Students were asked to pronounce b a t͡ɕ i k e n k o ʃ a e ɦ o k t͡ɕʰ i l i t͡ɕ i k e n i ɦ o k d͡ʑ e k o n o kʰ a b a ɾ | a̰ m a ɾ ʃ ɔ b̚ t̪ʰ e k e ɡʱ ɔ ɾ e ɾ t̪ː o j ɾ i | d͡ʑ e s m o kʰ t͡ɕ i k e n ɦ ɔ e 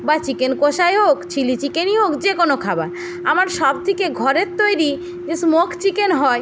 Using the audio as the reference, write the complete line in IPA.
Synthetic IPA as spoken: b a t͡ɕ i k e n k o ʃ a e ɦ o k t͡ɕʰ i l i t͡ɕ i k e n i ɦ o k d͡ʑ e k o n o kʰ a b a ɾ | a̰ m a ɾ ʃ ɔ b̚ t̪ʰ i k e ɡʱ ɔ ɾ e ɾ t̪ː o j ɾ i | d͡ʑ e s m o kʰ t͡ɕ i k e n ɦ ɔ e